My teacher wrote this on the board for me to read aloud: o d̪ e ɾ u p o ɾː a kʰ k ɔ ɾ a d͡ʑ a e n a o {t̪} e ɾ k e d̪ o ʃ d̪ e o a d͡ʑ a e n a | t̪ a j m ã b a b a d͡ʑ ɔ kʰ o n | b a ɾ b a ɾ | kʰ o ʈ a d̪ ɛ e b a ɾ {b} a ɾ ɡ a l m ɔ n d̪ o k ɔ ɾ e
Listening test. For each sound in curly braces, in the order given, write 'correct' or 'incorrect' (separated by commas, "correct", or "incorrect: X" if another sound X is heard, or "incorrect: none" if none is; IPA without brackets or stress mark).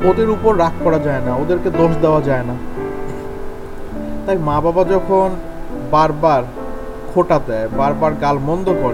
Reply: incorrect: d̪, correct